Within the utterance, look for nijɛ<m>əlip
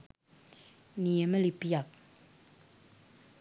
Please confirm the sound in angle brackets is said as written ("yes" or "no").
yes